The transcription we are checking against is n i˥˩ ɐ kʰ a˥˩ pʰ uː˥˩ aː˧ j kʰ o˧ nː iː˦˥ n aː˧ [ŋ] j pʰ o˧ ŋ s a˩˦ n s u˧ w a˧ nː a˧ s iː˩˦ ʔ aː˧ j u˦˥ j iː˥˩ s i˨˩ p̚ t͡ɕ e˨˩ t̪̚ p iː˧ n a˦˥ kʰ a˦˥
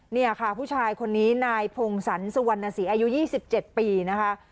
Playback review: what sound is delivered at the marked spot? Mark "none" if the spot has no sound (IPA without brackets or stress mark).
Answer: none